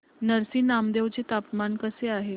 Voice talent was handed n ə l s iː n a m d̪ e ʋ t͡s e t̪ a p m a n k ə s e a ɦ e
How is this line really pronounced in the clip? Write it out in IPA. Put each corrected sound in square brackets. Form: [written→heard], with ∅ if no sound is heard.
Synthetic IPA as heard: n ə [l→ɾ] s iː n a m d̪ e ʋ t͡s e t̪ a p m a n k ə s e a ɦ e